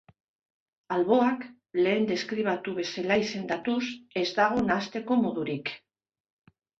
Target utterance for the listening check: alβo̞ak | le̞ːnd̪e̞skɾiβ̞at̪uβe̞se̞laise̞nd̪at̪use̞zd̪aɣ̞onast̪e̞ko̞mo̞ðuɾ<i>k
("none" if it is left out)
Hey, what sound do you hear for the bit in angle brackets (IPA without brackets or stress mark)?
i